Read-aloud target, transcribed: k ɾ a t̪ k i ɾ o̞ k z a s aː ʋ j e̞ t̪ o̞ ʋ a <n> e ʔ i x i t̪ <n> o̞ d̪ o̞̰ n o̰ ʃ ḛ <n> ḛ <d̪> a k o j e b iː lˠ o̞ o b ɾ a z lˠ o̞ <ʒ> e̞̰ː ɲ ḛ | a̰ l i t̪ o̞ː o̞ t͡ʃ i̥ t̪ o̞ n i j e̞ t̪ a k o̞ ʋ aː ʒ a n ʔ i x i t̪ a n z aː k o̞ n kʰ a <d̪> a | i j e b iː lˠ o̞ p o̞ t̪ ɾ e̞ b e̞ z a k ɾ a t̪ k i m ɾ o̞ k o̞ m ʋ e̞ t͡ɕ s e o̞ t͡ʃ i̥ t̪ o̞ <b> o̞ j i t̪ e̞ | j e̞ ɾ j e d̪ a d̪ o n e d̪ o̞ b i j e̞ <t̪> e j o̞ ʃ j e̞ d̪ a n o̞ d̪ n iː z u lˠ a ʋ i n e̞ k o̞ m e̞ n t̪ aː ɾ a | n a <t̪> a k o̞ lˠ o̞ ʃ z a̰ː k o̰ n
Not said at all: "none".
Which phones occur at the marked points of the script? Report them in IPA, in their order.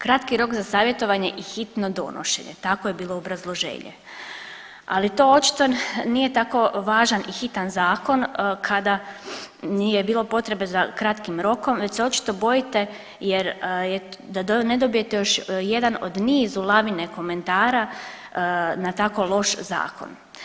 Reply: ɲ, n, ɲ, t̪, ʒ, d̪, b, t̪, t̪

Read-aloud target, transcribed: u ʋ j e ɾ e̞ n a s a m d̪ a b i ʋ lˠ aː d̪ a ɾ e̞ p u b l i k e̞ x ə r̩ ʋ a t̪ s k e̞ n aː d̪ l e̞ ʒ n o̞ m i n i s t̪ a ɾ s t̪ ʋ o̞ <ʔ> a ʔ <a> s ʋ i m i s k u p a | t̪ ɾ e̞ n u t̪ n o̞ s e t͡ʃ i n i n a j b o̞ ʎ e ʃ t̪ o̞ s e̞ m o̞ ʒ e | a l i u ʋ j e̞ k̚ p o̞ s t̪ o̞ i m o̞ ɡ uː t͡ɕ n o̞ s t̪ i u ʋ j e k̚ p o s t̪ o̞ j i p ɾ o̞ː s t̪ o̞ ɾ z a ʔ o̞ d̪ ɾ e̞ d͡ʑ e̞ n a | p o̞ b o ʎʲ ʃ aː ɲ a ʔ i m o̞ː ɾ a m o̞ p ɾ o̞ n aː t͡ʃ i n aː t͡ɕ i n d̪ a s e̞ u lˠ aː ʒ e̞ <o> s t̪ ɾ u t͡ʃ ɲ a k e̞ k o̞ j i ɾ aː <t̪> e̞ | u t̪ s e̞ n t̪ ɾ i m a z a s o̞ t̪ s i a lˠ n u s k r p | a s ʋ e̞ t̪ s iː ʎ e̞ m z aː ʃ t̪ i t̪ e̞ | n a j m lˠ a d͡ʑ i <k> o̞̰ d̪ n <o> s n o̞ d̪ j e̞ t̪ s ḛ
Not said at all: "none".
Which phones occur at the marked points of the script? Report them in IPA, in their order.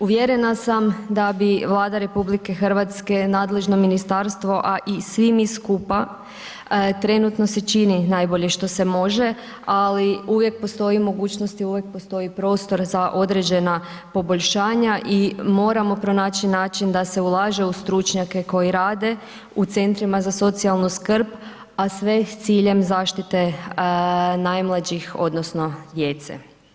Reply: ʔ, i, u, d̪, x, o

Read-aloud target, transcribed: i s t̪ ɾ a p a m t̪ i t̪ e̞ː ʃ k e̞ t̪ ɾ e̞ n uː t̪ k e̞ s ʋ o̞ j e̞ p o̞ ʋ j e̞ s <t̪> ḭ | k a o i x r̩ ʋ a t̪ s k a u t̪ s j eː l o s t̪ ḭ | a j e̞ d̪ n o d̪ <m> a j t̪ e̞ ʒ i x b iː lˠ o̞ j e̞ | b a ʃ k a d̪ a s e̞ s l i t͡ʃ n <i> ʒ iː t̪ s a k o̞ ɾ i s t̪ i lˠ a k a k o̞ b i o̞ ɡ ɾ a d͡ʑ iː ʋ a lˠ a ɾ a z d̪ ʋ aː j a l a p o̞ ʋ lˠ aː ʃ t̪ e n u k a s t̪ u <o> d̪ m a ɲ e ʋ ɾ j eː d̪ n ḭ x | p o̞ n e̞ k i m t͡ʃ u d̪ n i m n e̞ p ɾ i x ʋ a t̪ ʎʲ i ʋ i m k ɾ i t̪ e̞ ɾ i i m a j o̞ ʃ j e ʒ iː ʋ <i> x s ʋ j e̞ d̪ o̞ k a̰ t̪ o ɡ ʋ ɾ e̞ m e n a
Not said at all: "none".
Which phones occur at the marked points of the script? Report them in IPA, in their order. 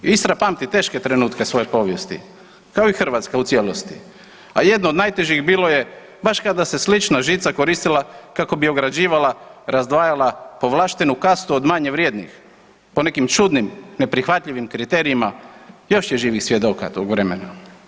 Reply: t̪, n, a, o, i

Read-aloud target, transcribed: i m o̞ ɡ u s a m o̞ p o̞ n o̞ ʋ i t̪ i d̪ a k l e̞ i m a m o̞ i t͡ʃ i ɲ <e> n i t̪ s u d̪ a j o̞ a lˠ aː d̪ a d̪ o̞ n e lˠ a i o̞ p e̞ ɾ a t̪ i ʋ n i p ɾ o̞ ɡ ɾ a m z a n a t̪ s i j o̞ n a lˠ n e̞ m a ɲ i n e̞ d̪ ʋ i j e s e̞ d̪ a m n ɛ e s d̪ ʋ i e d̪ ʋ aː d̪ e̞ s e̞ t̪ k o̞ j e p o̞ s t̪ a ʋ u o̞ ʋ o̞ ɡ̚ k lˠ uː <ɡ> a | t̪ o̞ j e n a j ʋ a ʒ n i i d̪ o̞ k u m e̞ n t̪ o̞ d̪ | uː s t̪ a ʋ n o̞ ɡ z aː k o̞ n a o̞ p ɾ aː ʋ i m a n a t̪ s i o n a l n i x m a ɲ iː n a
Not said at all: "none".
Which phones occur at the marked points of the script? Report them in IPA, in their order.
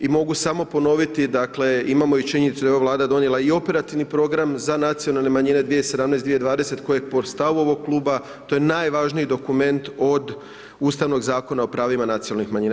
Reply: e, b

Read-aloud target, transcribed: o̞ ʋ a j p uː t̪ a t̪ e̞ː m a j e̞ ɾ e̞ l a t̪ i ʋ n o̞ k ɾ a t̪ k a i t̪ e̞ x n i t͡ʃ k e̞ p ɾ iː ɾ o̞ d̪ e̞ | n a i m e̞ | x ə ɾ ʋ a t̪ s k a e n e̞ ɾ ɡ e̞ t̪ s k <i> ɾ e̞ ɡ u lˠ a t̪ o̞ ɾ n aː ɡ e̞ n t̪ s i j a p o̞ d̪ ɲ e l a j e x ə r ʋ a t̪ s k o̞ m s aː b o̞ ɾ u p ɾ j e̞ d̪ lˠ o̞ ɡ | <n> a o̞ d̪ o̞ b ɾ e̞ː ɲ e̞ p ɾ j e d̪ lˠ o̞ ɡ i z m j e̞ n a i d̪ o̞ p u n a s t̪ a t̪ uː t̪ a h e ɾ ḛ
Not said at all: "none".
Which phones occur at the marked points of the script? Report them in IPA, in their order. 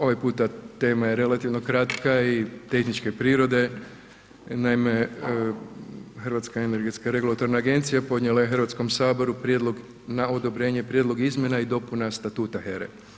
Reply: a, n

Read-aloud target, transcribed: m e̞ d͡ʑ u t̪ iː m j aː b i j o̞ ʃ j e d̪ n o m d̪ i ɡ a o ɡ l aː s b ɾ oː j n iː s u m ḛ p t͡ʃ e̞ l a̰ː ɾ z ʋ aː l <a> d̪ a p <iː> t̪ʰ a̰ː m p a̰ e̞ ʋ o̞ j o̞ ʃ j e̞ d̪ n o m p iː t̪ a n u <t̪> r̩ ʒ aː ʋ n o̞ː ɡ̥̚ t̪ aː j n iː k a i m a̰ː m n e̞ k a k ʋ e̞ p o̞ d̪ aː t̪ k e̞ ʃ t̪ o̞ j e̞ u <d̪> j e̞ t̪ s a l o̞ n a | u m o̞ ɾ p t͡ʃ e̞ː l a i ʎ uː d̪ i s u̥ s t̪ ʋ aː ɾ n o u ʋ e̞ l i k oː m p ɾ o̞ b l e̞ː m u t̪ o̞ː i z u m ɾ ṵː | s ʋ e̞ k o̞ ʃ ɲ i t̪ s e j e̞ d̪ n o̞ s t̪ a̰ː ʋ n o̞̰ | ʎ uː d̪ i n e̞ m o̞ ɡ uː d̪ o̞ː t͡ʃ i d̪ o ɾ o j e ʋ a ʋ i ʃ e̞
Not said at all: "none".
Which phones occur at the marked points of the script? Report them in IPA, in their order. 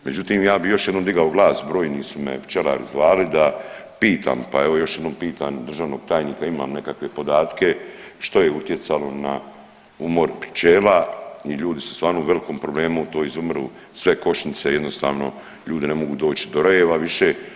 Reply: i, iː, d̪, t̪

